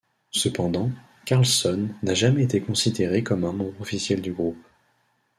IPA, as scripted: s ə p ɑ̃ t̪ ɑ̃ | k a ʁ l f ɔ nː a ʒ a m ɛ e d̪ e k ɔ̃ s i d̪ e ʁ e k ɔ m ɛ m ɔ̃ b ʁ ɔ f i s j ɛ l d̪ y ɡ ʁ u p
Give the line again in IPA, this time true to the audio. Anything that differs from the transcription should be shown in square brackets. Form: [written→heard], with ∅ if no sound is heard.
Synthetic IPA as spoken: s ə p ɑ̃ [t̪→d̪] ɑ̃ | k a ʁ l [f→s] ɔ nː a ʒ a m ɛ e [d̪→t̪] e k ɔ̃ s i d̪ e ʁ e k ɔ m [ɛ→ɛ̃] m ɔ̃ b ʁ ɔ f i s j ɛ l d̪ y ɡ ʁ u p